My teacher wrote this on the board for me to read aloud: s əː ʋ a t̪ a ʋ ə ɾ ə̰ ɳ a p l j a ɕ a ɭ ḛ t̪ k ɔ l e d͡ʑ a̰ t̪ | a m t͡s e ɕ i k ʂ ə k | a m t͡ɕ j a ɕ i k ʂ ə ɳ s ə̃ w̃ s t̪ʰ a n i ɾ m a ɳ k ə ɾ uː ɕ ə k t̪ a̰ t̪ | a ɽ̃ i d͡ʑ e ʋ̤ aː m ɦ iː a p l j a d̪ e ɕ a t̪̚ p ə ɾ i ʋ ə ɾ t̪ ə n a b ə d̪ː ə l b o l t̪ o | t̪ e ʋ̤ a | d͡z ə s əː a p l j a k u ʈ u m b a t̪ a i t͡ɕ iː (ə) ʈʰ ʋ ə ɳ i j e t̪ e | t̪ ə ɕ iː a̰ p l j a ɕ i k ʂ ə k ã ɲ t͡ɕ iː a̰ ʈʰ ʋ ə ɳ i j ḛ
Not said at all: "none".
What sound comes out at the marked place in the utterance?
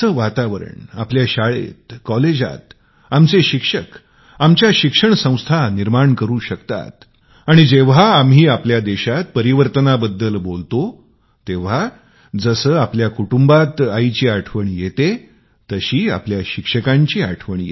a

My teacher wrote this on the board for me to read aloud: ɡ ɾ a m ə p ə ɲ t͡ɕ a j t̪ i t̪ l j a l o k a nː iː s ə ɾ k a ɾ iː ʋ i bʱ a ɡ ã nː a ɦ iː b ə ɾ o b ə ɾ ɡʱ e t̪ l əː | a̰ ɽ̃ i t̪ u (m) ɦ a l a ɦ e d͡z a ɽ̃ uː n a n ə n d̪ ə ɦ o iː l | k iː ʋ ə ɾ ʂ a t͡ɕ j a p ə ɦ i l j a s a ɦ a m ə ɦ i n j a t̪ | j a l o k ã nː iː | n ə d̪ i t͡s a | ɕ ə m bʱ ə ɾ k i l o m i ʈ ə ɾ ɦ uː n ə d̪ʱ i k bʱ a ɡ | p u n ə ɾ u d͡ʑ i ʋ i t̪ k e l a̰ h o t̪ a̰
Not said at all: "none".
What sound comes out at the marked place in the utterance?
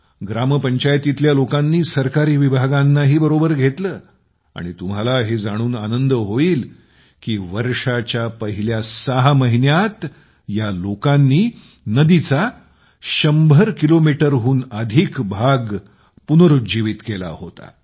m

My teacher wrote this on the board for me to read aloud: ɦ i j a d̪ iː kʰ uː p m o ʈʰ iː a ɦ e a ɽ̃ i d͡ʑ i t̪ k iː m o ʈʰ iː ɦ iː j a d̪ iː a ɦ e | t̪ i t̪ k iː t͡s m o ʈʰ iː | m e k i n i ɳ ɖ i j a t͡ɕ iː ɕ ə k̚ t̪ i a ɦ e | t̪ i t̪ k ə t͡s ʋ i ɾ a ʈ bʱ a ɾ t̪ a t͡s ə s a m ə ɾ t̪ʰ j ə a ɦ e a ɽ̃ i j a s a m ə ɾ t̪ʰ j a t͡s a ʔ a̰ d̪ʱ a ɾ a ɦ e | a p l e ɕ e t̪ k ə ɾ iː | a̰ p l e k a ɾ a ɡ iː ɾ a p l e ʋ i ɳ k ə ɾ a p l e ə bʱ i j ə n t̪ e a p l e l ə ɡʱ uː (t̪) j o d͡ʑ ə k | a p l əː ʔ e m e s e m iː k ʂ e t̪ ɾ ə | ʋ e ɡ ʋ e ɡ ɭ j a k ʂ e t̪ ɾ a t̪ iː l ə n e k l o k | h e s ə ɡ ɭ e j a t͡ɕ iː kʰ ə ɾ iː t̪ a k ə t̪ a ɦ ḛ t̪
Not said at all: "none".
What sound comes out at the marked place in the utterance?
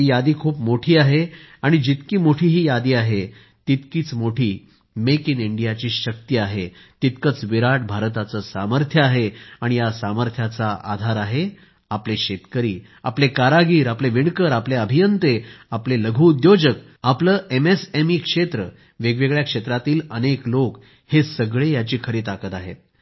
d̪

